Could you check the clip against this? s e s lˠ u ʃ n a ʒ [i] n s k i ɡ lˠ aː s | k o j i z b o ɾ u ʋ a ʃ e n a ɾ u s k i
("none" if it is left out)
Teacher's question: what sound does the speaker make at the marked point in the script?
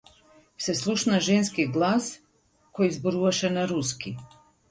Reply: e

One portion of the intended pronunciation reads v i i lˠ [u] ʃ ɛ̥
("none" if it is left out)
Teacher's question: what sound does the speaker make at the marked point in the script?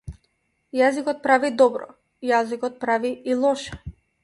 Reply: ɔ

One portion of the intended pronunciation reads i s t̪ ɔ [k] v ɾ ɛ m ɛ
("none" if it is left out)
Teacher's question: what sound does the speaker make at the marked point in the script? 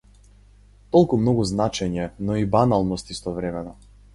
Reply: none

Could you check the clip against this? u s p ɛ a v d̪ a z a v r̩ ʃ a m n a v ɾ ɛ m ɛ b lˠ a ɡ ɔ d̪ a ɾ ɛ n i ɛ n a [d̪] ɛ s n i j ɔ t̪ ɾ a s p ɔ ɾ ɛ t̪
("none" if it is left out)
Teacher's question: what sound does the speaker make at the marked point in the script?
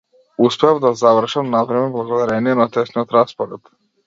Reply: t̪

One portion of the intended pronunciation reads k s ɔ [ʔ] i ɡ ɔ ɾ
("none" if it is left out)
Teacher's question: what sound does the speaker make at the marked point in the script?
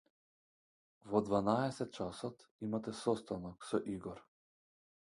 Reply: ʔ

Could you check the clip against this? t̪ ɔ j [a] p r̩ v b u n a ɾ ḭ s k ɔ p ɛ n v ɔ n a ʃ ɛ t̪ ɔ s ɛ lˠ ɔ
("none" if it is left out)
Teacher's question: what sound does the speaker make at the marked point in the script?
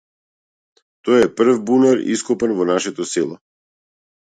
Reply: ɛ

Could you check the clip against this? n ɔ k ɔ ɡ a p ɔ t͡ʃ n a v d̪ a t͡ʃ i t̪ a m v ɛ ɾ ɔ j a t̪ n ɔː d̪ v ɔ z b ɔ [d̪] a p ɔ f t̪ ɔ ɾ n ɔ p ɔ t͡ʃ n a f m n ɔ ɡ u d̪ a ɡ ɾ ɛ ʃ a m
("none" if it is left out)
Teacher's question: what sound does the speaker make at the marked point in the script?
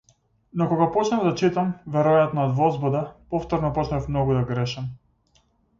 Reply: d̪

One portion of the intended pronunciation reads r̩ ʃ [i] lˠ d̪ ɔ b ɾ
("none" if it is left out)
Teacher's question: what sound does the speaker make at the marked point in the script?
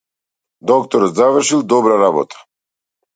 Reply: i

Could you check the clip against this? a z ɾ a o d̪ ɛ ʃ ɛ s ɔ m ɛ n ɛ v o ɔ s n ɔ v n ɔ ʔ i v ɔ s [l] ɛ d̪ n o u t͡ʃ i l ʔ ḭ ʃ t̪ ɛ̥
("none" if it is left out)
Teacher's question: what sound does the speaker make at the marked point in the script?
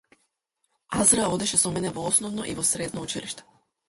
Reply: ɾ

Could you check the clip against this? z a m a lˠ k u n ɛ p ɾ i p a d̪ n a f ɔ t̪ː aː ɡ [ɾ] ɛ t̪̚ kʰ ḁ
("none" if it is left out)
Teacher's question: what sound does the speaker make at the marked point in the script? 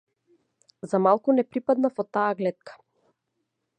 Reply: l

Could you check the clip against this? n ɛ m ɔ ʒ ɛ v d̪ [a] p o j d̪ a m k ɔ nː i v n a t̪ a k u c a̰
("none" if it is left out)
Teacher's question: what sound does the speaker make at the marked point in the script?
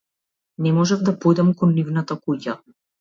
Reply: a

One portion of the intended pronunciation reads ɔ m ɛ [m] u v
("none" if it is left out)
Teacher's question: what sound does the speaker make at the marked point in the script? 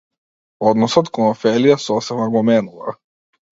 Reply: n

